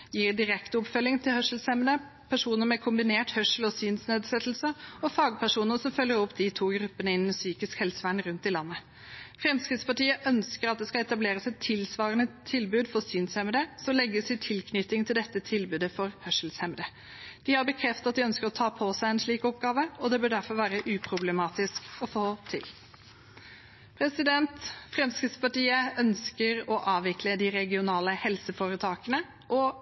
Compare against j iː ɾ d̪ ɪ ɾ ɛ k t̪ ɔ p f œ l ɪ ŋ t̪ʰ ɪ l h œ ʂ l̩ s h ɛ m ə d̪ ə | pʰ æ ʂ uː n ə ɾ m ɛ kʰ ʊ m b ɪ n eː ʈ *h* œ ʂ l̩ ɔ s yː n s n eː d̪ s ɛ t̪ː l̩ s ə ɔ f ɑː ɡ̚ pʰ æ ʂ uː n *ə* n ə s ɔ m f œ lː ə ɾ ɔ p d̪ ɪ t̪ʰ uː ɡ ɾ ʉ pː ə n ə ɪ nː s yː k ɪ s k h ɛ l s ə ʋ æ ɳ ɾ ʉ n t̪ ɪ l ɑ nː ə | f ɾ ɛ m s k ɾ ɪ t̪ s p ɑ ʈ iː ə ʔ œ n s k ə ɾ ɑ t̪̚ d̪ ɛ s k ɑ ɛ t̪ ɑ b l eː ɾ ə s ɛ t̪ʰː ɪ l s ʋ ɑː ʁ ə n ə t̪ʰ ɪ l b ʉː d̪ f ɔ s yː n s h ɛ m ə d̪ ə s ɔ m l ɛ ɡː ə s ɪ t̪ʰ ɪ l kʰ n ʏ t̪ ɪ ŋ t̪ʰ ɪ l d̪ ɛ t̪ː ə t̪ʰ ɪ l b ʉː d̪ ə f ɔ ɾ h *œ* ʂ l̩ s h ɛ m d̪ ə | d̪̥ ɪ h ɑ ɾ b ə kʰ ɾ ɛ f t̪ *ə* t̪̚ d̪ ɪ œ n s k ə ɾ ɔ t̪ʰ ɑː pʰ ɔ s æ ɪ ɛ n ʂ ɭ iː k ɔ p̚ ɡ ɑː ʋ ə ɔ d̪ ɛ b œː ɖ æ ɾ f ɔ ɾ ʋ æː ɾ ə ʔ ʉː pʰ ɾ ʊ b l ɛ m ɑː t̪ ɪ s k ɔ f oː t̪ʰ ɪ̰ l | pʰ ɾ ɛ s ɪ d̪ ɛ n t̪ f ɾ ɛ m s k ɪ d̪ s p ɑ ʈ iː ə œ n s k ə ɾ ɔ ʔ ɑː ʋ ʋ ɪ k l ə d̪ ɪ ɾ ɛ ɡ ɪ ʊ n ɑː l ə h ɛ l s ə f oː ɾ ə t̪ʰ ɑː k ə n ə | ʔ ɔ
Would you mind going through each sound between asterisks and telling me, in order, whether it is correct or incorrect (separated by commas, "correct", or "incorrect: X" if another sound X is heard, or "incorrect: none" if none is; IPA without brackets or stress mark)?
correct, correct, correct, incorrect: ɑ